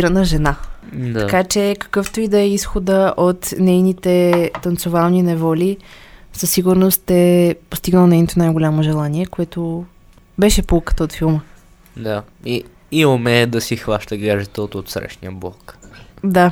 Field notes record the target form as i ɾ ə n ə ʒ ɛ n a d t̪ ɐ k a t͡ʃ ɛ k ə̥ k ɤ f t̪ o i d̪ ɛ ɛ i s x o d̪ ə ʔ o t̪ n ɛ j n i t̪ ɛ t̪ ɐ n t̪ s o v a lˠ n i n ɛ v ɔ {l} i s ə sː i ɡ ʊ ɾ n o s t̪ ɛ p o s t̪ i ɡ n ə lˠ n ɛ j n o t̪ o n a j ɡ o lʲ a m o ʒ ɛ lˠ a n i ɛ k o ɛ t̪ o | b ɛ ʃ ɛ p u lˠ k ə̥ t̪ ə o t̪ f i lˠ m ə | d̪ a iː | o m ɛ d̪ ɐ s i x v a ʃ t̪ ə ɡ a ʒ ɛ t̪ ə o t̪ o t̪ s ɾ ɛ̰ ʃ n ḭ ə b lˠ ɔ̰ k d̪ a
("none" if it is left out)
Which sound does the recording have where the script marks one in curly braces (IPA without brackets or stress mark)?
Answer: l